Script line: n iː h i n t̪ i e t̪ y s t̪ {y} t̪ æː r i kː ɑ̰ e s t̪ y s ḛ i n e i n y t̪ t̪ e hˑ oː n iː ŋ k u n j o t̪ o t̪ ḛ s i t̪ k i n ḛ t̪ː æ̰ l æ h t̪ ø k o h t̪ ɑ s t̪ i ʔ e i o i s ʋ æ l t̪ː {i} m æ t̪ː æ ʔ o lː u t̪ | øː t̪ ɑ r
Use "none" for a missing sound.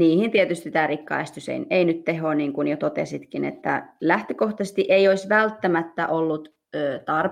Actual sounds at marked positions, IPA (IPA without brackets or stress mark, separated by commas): i, æ